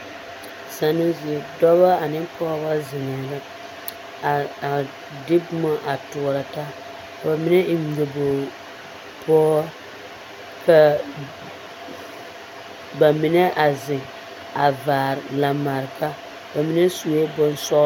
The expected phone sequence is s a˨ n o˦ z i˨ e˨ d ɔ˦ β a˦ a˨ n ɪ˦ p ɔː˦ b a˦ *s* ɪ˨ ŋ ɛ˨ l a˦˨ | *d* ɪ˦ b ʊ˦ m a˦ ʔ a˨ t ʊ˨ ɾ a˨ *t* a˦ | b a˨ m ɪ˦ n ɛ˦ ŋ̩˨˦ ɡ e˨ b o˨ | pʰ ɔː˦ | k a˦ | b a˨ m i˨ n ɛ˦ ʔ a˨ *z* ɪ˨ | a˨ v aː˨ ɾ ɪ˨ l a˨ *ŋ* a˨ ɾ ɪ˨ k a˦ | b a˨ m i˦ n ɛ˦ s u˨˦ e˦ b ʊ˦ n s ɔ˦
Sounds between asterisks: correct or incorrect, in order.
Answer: incorrect, correct, correct, correct, incorrect

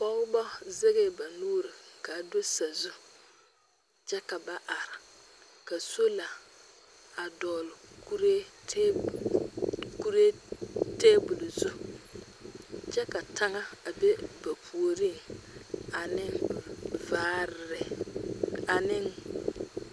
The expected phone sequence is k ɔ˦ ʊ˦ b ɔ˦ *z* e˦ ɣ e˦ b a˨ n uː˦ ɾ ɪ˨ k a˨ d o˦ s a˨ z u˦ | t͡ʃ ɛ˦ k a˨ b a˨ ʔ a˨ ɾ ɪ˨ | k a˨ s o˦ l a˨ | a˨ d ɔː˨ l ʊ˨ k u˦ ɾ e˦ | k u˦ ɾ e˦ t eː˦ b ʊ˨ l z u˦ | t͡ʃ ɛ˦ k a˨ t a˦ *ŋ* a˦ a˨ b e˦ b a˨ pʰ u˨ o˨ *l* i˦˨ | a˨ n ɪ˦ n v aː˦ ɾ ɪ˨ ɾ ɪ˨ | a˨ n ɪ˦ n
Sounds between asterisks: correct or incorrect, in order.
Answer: correct, correct, incorrect

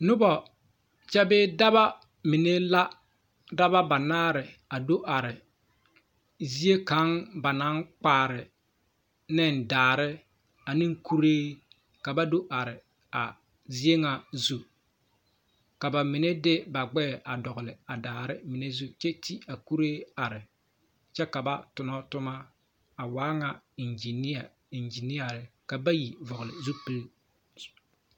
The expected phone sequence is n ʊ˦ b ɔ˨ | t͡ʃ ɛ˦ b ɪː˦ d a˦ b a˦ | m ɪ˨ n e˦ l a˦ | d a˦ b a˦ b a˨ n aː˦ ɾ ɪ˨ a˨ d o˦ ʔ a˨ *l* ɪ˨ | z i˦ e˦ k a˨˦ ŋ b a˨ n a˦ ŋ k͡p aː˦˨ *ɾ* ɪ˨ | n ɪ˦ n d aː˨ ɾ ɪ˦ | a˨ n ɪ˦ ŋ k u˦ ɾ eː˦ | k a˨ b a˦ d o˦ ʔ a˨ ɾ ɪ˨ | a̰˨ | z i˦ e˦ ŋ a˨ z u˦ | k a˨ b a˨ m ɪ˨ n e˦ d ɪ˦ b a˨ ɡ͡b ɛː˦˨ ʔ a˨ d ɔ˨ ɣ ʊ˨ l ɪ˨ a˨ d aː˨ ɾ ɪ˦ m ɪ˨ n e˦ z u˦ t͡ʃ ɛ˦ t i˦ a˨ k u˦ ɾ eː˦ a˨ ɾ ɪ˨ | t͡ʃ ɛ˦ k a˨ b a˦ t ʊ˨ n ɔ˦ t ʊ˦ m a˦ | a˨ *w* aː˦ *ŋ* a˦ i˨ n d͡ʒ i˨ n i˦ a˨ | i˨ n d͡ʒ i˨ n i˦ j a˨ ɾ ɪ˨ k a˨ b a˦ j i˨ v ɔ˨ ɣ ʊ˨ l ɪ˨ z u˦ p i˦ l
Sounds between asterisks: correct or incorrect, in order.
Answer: incorrect, correct, correct, correct

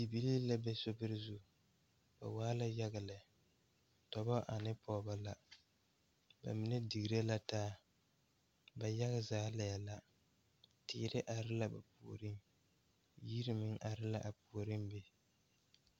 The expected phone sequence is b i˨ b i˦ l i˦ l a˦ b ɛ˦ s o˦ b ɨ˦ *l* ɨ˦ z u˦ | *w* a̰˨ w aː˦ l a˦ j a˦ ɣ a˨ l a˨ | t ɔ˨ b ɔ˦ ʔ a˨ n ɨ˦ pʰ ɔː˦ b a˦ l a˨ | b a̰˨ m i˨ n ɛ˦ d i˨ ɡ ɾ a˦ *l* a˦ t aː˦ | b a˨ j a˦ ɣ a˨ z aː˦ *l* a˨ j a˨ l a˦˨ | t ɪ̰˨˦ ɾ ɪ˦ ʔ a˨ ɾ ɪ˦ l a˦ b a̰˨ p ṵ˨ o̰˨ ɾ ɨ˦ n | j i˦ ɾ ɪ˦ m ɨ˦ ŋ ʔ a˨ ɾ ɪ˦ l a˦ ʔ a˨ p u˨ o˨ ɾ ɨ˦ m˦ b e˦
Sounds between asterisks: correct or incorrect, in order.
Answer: incorrect, incorrect, correct, correct

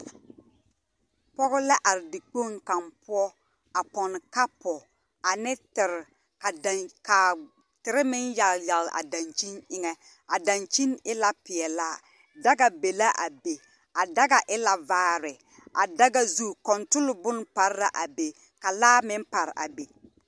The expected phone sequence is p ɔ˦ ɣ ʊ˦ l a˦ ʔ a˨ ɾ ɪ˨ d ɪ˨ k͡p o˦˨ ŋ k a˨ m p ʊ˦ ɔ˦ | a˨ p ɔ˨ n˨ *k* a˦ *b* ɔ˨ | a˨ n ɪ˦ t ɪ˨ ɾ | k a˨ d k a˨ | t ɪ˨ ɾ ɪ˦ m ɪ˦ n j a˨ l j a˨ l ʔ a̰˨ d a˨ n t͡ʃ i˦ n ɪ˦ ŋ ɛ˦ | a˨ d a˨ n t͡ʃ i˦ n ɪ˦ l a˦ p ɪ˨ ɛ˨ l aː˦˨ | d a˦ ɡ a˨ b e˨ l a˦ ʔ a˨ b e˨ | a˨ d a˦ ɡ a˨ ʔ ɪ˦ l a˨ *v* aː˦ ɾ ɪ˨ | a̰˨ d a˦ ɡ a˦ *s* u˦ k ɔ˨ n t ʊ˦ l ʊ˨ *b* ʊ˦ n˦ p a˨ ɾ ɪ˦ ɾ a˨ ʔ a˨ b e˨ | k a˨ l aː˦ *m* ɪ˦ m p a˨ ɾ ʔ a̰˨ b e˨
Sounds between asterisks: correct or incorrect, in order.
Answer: correct, incorrect, correct, incorrect, correct, correct

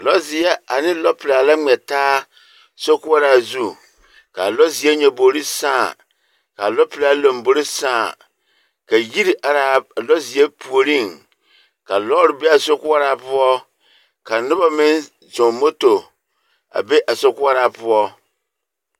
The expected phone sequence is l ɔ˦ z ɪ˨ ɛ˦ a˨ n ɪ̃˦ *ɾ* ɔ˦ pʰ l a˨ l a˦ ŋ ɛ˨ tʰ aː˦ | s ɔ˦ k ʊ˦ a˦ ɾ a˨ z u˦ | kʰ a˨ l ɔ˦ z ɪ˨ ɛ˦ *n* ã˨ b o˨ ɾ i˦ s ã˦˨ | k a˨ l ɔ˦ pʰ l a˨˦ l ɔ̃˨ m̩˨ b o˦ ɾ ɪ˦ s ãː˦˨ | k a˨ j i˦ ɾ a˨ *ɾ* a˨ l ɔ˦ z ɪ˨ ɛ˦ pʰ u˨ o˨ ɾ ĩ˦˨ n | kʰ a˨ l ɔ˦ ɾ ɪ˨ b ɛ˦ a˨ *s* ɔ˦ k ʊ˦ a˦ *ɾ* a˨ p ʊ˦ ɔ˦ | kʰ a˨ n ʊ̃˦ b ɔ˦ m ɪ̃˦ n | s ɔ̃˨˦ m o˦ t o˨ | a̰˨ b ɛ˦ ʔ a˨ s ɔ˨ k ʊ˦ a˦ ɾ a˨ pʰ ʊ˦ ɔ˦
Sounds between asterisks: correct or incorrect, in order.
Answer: incorrect, incorrect, correct, correct, correct

